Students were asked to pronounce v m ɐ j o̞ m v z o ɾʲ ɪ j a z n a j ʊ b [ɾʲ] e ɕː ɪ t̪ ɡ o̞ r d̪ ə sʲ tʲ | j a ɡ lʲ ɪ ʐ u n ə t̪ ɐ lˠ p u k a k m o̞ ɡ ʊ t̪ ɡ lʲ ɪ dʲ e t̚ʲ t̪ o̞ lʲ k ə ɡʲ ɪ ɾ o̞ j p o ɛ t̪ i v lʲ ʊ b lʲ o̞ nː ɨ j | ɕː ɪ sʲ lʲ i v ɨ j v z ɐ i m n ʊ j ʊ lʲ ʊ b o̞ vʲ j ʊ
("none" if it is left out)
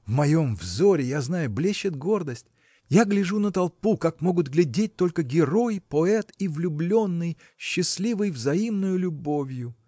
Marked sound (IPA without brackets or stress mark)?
lʲ